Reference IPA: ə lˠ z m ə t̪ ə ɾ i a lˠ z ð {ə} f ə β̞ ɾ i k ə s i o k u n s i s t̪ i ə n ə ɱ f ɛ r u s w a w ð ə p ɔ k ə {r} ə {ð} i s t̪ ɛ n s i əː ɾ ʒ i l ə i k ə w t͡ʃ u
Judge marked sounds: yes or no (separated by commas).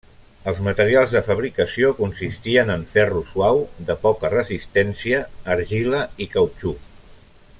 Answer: yes, yes, no